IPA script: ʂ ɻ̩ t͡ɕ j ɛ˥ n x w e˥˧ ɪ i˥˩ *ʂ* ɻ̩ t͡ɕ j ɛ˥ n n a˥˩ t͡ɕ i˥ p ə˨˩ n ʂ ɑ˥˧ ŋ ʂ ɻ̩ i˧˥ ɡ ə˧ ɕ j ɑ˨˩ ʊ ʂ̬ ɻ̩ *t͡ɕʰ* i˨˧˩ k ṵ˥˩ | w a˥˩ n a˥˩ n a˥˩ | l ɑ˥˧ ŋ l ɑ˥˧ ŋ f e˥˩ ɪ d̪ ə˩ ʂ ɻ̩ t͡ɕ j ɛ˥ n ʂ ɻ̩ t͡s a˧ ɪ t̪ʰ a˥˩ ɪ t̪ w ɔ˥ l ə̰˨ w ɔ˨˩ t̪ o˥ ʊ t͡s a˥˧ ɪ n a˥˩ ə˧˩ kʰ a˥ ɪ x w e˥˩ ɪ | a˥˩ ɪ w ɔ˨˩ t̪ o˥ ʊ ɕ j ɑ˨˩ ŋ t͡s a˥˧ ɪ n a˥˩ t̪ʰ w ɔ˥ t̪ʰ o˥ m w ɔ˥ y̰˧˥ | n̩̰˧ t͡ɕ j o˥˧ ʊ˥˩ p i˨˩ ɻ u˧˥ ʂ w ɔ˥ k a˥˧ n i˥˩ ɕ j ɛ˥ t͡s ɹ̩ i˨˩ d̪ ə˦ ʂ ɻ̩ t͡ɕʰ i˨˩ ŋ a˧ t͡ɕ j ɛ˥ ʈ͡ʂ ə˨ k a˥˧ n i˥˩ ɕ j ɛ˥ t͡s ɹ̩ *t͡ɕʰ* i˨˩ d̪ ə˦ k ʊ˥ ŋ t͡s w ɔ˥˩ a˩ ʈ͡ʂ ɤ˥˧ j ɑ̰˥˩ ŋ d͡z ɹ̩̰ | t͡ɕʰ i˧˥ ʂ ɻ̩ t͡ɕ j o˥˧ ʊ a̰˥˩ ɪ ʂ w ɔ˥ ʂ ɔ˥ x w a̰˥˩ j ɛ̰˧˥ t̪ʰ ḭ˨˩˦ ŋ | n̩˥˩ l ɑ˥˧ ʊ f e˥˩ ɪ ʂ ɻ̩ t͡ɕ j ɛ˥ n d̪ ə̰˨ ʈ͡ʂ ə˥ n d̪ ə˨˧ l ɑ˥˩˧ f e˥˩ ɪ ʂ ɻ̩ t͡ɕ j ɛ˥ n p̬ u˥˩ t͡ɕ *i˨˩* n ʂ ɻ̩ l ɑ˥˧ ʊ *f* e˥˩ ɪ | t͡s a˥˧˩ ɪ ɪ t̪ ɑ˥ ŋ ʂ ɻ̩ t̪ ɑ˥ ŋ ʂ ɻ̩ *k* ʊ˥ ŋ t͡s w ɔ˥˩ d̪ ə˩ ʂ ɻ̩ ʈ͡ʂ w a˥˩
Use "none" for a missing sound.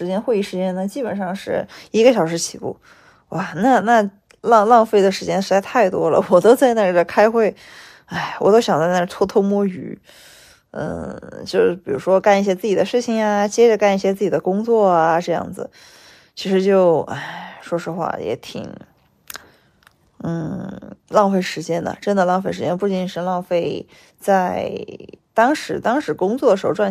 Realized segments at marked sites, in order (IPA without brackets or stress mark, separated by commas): ʂ, t͡ɕʰ, t͡ɕ, i˨˩, f, k